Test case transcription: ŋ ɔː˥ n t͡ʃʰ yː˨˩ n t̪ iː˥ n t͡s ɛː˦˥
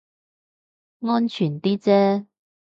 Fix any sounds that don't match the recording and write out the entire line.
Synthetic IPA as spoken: ŋ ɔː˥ n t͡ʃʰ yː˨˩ n t̪ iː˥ t͡s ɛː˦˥